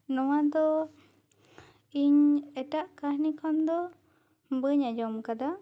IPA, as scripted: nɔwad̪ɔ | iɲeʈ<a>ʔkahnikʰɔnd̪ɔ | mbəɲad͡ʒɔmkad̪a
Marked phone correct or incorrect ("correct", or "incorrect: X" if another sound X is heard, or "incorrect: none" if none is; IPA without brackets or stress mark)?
correct